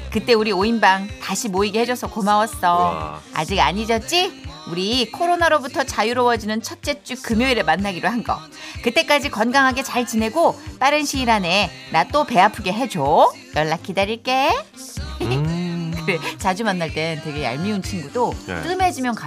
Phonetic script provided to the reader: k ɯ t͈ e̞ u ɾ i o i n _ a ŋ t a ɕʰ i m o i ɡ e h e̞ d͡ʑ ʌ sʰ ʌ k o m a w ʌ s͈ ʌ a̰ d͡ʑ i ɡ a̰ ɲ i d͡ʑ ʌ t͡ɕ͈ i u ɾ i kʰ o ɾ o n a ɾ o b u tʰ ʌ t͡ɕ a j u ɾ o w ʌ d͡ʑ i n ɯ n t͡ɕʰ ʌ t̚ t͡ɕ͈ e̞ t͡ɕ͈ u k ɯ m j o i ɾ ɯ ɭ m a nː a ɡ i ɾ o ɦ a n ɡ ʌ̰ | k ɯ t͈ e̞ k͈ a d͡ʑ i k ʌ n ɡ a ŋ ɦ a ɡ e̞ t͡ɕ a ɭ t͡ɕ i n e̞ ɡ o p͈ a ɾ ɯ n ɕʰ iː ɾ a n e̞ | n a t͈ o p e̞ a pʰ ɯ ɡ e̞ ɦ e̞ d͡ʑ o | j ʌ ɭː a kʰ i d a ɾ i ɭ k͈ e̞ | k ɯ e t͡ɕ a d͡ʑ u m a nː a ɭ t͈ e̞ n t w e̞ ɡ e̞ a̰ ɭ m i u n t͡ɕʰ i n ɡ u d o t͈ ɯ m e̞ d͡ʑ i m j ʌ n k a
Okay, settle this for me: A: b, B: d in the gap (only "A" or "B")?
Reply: A